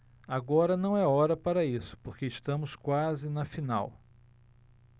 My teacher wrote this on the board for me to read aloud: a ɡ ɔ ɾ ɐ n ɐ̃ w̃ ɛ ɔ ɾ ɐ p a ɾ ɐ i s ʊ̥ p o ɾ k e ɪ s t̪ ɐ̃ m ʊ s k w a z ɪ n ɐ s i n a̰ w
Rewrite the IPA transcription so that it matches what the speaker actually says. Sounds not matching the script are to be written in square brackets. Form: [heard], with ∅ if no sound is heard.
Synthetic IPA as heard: a ɡ ɔ ɾ ɐ n ɐ̃ w̃ ɛ ɔ ɾ ɐ p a ɾ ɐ i s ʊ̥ p o ɾ k e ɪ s t̪ ɐ̃ m ʊ s k w a z ɪ n ɐ [f] i n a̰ w